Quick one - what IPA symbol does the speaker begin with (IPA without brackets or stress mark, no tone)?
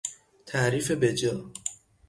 t̪ʰ